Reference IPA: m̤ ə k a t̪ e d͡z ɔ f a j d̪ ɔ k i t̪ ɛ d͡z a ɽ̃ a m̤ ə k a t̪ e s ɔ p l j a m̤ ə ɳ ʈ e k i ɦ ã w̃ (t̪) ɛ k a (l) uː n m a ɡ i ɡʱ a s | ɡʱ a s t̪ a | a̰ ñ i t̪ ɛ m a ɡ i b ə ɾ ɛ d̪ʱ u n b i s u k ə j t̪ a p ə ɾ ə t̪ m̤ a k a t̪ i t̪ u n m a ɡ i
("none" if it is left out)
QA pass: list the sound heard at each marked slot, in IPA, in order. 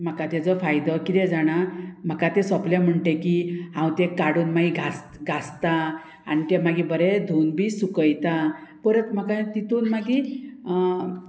t̪, ɽ

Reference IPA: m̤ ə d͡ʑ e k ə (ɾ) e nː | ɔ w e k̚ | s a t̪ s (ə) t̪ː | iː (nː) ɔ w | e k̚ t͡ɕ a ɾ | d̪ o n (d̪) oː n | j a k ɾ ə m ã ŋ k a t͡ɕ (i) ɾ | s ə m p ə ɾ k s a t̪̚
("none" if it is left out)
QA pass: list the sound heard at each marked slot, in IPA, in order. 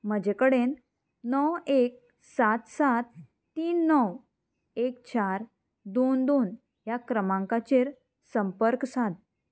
ɽ, a, nː, d̪, e

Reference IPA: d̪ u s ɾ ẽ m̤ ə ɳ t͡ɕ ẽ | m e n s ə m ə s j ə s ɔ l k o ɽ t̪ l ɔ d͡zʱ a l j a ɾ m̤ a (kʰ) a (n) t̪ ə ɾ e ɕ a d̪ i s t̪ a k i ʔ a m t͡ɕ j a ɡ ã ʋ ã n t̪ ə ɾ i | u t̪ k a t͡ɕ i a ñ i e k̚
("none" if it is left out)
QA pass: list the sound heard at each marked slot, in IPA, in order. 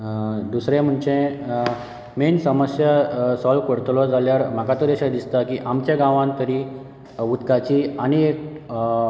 k, none

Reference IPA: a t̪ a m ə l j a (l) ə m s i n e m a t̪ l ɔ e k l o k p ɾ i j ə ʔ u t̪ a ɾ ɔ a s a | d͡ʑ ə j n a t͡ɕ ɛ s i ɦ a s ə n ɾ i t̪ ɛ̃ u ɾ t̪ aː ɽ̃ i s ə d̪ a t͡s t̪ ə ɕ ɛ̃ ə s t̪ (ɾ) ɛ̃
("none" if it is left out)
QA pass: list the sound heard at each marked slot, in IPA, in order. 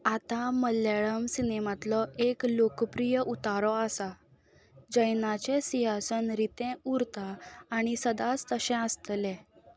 ɭ, l

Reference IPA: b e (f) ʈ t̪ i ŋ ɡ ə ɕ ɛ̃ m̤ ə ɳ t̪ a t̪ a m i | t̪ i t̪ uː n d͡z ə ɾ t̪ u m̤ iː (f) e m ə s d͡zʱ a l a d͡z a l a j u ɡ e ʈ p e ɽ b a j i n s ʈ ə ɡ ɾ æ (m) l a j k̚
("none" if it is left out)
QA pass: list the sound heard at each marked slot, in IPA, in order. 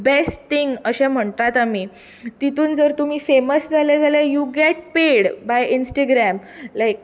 s, f, m

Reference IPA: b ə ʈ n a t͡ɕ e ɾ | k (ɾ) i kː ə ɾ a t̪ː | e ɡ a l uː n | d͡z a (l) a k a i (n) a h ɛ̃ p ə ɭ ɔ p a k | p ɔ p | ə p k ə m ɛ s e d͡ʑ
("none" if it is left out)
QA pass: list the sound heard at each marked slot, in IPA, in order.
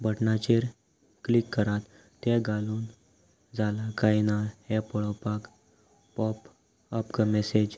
l, l, n

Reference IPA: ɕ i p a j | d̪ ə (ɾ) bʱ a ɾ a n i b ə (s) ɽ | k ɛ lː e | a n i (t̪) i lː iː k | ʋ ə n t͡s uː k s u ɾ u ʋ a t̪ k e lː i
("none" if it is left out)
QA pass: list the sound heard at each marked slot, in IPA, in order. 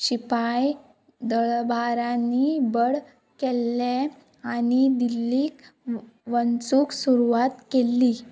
ɭ, none, d̪

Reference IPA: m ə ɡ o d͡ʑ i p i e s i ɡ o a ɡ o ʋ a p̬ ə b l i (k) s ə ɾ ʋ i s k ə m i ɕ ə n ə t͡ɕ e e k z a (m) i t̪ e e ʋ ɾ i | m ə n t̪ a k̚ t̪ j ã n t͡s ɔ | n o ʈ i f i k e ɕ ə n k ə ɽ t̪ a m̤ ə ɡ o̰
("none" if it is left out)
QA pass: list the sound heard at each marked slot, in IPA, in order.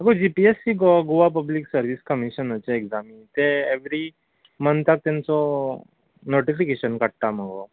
k, m

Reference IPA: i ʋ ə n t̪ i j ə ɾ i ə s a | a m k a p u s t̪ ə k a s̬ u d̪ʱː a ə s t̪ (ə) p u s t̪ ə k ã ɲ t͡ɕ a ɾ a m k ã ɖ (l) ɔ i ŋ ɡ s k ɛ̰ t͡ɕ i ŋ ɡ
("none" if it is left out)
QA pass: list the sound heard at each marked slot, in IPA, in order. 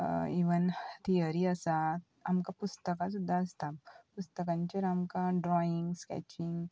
a, ɾ

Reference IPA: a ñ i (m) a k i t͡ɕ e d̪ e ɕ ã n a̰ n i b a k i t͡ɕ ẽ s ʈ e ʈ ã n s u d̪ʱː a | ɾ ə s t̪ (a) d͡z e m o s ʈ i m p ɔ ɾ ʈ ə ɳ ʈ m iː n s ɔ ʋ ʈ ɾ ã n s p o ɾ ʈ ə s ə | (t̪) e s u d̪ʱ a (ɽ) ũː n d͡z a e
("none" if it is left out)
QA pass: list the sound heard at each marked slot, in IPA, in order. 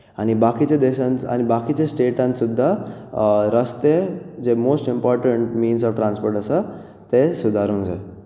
b, e, t̪, ɾ

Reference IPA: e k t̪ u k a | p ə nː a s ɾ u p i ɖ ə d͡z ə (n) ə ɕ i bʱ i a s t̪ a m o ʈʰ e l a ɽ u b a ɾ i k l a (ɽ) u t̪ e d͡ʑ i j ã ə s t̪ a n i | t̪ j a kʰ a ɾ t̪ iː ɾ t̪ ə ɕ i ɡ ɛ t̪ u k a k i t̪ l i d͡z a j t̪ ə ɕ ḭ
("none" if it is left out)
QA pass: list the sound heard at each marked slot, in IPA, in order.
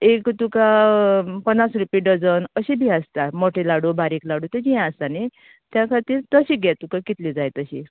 n, ɽ

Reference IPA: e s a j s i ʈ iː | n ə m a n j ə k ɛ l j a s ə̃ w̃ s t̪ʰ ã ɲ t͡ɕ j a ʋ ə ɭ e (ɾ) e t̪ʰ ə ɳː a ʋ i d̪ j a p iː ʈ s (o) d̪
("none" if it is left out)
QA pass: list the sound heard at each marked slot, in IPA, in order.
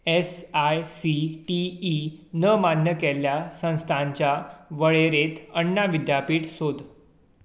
ɾ, o

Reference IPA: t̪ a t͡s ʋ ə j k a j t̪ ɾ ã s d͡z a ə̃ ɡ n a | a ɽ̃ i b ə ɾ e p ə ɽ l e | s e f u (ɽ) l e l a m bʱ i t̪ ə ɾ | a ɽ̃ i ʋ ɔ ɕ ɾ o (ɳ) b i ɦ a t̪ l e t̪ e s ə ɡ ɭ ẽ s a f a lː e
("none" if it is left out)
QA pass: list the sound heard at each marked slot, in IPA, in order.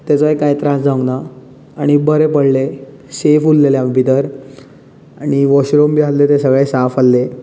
l, m

